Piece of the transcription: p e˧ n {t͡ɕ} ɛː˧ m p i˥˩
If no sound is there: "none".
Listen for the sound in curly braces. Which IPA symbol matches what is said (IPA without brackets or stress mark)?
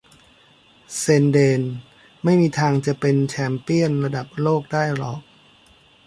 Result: t͡ɕʰ